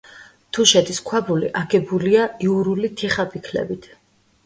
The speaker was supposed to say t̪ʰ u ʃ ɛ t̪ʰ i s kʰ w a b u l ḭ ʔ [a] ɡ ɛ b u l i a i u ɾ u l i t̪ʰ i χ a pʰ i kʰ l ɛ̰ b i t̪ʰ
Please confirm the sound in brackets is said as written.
yes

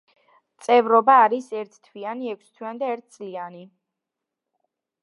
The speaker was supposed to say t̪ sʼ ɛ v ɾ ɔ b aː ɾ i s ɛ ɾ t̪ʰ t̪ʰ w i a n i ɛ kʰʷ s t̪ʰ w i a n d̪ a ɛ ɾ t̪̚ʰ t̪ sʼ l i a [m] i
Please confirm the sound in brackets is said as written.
no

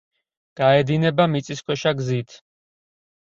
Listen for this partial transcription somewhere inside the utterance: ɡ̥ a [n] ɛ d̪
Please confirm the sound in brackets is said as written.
no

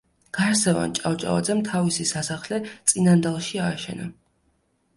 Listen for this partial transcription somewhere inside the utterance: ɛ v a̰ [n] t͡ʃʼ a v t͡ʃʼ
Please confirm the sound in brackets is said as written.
yes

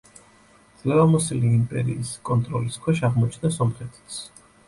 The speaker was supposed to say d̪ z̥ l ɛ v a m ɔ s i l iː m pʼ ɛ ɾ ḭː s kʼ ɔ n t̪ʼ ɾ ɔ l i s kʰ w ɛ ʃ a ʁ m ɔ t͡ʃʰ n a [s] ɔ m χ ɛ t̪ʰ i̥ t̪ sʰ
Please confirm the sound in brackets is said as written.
yes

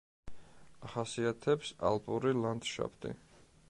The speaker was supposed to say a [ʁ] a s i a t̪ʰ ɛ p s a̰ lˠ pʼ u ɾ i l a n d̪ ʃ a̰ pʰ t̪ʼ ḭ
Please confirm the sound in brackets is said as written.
no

